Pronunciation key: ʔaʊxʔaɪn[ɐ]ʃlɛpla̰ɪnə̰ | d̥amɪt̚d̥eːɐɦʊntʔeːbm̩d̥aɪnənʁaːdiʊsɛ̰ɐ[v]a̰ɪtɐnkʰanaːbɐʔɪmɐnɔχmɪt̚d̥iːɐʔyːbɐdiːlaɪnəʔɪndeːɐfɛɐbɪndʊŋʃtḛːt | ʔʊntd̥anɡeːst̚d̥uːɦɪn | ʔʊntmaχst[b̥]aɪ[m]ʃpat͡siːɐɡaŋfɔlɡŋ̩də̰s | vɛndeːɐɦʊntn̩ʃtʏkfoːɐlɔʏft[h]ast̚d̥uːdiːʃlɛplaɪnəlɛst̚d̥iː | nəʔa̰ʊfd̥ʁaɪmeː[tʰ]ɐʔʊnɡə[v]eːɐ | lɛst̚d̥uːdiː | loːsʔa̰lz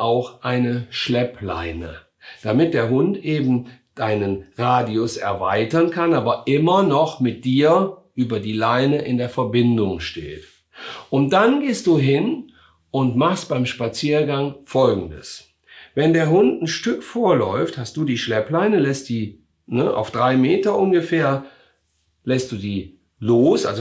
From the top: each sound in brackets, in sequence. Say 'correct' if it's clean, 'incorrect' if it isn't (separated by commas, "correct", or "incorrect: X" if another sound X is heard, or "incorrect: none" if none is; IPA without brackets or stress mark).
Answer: incorrect: ə, correct, correct, correct, correct, incorrect: t, incorrect: f